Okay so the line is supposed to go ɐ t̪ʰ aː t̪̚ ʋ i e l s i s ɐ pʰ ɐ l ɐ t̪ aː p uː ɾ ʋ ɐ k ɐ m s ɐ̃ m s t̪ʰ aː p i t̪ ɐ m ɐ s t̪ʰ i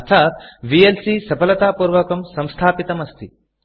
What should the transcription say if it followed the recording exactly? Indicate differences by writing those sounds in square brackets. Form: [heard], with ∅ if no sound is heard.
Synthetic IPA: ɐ t̪ʰ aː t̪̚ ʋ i e l s i s ɐ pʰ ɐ l ɐ t̪ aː p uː ɾ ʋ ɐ k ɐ m s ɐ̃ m s t̪ʰ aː p i t̪ ɐ m ɐ s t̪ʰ i